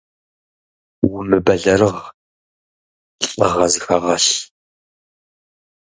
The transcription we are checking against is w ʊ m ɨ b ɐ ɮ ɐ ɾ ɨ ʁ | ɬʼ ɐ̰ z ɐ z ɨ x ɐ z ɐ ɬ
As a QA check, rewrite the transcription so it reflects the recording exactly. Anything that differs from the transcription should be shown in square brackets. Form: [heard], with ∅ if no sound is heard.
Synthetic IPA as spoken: w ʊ m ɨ b ɐ ɮ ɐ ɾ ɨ ʁ | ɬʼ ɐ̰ [ʁ] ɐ z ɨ x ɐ [ʁ] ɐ ɬ